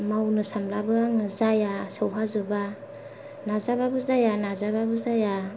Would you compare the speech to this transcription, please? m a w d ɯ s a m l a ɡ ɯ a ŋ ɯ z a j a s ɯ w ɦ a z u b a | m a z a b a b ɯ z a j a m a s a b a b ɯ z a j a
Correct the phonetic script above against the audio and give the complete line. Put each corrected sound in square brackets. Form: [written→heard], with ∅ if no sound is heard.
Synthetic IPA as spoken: m a w [d→n] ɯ s a m l a [ɡ→b] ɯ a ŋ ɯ z a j a s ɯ w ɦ a z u b a | [m→n] a z a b a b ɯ z a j a [m→n] a [s→z] a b a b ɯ z a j a